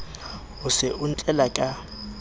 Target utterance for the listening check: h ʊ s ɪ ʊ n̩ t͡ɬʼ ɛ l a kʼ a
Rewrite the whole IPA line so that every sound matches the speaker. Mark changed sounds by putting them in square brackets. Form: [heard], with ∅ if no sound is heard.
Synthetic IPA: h ʊ s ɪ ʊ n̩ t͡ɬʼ ɛ l a kʼ a